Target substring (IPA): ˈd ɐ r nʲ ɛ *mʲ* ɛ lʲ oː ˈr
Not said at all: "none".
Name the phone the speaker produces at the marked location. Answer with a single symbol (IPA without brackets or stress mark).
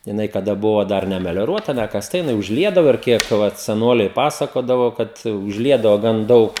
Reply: mʲ